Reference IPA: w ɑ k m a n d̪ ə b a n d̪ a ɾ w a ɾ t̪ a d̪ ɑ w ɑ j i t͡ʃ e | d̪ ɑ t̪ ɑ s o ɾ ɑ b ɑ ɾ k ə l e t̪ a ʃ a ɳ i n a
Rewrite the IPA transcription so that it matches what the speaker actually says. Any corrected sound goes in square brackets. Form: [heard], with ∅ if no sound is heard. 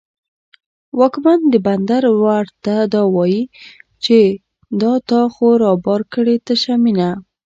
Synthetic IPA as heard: w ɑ k m a n d̪ ə b a n d̪ a ɾ w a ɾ t̪ a d̪ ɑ w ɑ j i t͡ʃ e | d̪ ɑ t̪ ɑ [x] o ɾ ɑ b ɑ ɾ k ə [ɽ] e t̪ a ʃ a [m] i n a